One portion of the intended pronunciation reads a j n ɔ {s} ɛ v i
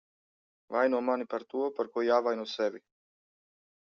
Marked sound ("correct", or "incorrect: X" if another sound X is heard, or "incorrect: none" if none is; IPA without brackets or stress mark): correct